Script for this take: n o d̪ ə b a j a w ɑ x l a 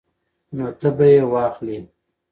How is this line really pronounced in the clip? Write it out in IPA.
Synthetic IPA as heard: n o t̪ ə b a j e w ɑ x l i